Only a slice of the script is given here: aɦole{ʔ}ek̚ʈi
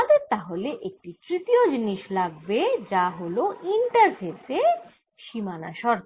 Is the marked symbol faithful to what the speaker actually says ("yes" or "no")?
yes